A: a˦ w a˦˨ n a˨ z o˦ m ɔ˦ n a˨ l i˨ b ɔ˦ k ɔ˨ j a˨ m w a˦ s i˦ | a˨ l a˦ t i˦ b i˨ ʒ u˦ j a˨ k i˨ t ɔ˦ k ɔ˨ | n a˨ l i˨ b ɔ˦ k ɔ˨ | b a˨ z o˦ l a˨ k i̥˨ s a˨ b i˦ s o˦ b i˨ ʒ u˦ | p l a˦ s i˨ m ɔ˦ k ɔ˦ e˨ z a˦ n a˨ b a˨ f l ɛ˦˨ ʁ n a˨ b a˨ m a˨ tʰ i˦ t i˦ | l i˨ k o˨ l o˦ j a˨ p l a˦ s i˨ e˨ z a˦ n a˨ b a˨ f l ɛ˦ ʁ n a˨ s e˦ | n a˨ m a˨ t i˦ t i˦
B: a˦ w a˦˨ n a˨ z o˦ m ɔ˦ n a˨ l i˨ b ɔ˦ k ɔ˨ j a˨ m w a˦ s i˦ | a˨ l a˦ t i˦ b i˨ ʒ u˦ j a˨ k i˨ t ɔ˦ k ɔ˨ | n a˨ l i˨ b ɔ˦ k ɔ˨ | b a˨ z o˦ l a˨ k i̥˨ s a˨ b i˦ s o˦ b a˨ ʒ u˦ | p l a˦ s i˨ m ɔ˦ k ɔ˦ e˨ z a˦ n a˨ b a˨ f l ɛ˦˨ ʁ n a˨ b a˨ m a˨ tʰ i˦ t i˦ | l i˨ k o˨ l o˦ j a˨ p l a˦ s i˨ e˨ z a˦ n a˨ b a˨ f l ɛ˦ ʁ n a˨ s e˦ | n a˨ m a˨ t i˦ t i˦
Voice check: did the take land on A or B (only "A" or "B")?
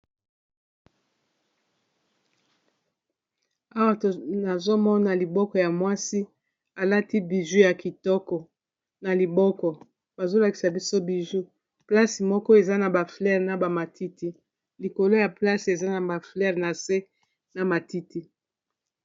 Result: A